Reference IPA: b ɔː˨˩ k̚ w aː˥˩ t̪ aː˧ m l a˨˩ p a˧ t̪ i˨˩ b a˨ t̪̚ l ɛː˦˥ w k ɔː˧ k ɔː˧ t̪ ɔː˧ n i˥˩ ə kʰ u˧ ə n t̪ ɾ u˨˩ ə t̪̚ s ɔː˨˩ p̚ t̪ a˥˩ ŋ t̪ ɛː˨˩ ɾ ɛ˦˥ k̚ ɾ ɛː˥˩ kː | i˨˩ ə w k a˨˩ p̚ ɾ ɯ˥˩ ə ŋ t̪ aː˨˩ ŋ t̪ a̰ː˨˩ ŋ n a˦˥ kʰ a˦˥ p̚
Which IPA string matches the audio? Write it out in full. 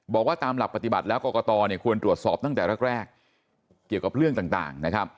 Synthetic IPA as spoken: b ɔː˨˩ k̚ w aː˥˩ t̪ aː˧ m l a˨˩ p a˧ t̪ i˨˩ b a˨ t̪̚ l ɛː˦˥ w k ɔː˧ k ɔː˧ t̪ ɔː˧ n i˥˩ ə kʰ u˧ ə n t̪ ɾ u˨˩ ə t̪̚ s ɔː˨˩ p̚ t̪ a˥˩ ŋ t̪ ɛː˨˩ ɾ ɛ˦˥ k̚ ɾ ɛː˥˩ kː | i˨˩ ə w k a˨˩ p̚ ɾ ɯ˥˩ ə ŋ t̪ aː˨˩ ŋ t̪ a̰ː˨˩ ŋ n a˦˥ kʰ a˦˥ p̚